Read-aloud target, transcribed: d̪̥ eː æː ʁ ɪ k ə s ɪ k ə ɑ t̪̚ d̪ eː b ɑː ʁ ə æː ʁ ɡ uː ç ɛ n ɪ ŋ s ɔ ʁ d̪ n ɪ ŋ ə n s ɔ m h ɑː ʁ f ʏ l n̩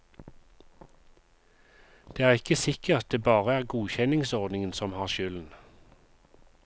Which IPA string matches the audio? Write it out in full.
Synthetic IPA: d̪̥ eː æː ʁ ɪ k ə s ɪ k ə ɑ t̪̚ d̪ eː b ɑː ʁ ə æː ʁ ɡ uː ç ɛ n ɪ ŋ s ɔ ʁ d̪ n ɪ ŋ ə n s ɔ m h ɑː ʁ ʃ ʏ l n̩